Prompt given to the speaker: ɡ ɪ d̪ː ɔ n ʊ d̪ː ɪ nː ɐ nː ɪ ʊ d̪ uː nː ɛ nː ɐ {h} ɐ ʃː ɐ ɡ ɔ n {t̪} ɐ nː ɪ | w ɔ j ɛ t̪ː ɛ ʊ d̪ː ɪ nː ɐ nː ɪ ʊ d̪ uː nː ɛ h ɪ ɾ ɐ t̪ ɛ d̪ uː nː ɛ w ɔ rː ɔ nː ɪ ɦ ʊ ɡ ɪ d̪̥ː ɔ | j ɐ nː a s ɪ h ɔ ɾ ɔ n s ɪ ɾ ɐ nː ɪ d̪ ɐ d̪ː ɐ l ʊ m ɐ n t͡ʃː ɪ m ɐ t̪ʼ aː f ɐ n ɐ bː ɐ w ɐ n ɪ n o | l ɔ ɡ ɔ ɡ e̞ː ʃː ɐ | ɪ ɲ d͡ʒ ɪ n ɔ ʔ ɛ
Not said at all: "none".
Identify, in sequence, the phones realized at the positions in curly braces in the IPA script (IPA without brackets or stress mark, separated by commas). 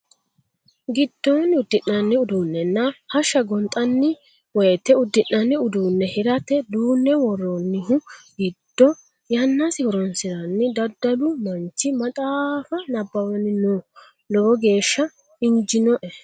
h, t̪ʼ